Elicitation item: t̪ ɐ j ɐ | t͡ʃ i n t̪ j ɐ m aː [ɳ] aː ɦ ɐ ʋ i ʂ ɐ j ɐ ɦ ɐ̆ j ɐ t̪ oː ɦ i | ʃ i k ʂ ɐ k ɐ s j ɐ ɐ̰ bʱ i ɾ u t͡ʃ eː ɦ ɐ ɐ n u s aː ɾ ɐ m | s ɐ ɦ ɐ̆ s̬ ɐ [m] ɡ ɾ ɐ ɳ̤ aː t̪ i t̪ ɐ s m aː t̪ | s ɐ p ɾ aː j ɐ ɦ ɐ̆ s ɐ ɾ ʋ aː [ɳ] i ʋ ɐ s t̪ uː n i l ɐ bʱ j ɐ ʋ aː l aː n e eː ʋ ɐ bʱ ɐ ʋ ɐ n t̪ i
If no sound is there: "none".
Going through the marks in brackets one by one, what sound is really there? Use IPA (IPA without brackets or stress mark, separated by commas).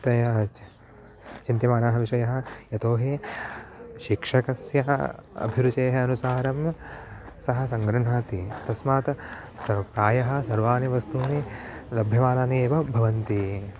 n, ŋ, n